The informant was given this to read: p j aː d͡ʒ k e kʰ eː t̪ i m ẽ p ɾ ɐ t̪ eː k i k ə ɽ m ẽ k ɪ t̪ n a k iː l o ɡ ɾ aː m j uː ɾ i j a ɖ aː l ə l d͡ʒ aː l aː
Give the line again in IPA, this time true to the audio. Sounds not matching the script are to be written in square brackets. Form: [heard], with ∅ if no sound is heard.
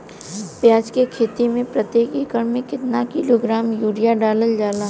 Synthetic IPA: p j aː d͡ʒ k e kʰ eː t̪ i m ẽ p ɾ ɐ t̪ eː k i k ə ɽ m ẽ k ɪ t̪ n a k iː l o ɡ ɾ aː m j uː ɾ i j a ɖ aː l ə l d͡ʒ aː l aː